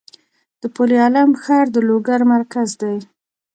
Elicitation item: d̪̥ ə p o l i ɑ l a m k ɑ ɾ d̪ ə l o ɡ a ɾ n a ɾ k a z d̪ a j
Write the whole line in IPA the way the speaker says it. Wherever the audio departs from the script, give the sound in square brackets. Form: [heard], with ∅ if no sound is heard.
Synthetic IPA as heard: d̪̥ ə p o l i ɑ l a m [x] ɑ ɾ d̪ ə l o ɡ a ɾ [m] a ɾ k a z d̪ a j